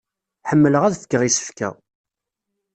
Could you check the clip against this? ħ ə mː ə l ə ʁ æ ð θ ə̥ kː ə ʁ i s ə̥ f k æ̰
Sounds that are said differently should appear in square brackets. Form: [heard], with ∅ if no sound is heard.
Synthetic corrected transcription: ħ ə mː ə l ə ʁ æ ð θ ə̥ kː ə ʁ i s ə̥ f k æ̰